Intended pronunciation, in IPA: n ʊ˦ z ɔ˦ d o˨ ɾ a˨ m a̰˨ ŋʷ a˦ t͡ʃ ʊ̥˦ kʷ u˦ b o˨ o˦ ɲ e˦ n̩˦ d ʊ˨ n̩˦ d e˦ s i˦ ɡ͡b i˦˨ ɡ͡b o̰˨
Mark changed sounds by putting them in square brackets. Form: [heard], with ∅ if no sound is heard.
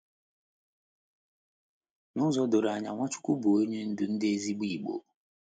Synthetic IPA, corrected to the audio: n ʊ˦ z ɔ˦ d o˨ ɾ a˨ [ɲ] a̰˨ ŋʷ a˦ t͡ʃ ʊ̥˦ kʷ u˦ b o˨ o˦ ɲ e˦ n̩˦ d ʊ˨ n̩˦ d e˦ [z] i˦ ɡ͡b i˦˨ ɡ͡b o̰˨